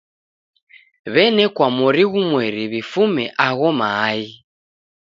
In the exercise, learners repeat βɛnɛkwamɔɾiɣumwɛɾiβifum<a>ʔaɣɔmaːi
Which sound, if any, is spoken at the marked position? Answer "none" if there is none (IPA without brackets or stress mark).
ɛ